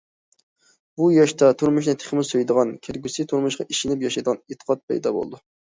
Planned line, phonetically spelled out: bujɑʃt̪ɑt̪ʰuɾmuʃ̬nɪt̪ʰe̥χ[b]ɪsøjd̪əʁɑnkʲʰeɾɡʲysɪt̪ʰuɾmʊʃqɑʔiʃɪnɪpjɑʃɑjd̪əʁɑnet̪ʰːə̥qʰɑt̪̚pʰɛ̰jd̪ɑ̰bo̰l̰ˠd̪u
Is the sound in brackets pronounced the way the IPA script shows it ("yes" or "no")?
no